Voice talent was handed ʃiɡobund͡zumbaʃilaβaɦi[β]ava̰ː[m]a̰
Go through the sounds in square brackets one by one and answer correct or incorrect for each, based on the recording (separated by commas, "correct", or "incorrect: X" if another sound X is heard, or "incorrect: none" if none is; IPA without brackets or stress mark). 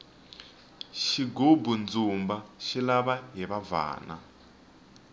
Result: correct, incorrect: n